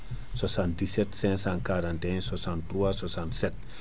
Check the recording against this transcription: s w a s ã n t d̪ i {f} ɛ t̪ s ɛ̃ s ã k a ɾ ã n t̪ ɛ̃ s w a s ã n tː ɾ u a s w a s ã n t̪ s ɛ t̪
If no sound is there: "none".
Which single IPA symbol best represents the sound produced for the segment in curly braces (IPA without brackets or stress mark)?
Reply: s